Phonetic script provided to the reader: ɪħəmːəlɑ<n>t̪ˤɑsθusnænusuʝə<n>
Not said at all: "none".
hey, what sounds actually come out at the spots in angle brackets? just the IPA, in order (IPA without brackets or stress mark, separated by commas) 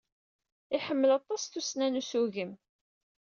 none, m